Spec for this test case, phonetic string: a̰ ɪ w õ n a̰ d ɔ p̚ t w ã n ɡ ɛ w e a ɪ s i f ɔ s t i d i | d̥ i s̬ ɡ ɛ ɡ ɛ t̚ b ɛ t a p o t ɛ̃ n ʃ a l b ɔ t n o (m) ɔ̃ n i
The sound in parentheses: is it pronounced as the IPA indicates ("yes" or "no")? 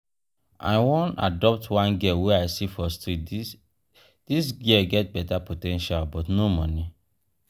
yes